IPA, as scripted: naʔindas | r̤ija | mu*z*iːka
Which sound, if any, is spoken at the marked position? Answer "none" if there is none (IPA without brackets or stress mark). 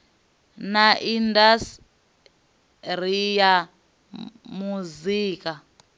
z